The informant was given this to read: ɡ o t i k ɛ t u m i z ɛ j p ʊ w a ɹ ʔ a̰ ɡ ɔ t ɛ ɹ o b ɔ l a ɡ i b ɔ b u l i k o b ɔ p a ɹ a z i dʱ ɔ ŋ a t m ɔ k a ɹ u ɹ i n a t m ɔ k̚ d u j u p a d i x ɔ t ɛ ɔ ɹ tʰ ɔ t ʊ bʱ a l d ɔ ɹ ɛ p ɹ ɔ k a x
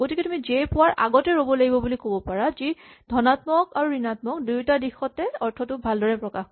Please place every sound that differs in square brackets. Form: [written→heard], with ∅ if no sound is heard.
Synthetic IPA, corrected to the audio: ɡ o t i k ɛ t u m i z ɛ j p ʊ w a ɹ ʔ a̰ ɡ ɔ t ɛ ɹ o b ɔ l a ɡ i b ɔ b u l i k o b ɔ p a ɹ a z i dʱ ɔ [ŋ→n] a t m ɔ k a ɹ u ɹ i n a t m ɔ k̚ d u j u [p→t] a d i x ɔ t ɛ ɔ ɹ tʰ ɔ t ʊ bʱ a l d ɔ ɹ ɛ p ɹ ɔ k a x

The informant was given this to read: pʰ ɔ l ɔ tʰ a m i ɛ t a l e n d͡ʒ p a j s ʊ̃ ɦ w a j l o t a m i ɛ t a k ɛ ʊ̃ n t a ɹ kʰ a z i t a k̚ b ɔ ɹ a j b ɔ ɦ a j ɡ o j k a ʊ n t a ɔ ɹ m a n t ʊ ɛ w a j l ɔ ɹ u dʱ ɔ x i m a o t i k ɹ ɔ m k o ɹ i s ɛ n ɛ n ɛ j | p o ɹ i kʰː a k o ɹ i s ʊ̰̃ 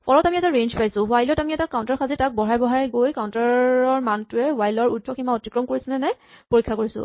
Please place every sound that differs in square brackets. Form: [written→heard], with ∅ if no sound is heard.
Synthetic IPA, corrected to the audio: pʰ ɔ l ɔ [tʰ→t] a m i ɛ t a [l→ɹ] e n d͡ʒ p a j s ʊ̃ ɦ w a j l [o→ɔ] t a m i ɛ t a k [ɛ→a] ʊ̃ n t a ɹ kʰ a z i t a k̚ b ɔ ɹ a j b ɔ ɦ a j ɡ o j k a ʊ n t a ɔ ɹ m a n t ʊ ɛ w a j l ɔ ɹ u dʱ ɔ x i m a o t i k ɹ ɔ m k o ɹ i s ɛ n ɛ n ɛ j | p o ɹ i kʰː a k o ɹ i s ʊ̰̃

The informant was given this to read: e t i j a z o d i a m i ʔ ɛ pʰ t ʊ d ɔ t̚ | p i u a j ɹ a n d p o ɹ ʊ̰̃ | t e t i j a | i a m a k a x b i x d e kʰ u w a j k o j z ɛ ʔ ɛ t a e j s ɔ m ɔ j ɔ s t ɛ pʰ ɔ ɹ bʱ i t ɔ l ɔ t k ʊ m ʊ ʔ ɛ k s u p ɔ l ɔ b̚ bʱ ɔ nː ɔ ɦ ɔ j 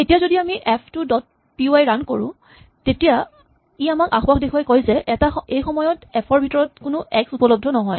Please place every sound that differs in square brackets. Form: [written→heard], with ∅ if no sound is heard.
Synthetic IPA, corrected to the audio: e t i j a z o d i a m i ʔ ɛ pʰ t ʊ d ɔ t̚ | p i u a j ɹ a n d [p→k] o ɹ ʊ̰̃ | t e t i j a | i a m a k a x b [i→a] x d e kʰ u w a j k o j z ɛ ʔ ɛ t a e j [s→x] ɔ m ɔ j ɔ [s→∅] t ɛ pʰ ɔ ɹ bʱ i t ɔ [l→ɹ] ɔ t k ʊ [m→n] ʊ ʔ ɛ k s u p ɔ l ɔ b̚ [bʱ→dʱ] ɔ [nː→n] ɔ ɦ ɔ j

